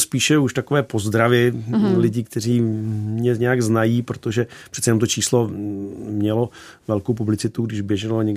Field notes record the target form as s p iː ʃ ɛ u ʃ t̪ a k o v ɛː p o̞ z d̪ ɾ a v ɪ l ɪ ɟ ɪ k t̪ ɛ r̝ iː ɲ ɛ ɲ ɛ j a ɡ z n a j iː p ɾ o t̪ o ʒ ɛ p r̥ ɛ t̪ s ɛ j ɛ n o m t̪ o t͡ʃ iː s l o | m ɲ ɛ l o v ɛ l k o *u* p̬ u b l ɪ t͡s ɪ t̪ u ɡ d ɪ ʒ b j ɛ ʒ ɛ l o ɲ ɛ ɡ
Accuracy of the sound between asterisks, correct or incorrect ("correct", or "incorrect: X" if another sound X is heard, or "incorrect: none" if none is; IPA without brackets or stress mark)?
incorrect: w